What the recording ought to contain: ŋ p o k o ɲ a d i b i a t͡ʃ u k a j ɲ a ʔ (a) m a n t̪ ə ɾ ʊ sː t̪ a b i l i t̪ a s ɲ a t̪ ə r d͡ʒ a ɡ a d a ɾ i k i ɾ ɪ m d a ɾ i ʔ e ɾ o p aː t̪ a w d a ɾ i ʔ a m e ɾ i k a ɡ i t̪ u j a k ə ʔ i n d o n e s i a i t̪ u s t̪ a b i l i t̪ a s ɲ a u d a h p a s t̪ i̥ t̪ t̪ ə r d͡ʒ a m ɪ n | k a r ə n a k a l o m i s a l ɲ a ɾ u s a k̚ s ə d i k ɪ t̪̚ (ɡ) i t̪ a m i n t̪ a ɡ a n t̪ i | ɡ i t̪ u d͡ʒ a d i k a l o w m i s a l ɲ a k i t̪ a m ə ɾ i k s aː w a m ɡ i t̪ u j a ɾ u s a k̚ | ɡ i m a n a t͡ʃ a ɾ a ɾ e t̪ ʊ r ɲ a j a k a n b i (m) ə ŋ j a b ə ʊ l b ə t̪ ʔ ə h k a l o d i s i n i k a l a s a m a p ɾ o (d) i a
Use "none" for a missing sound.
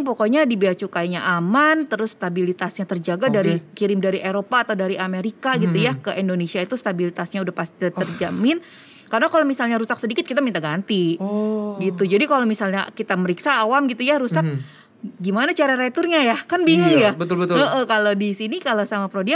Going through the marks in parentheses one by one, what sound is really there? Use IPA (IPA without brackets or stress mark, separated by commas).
a, k, ŋ, d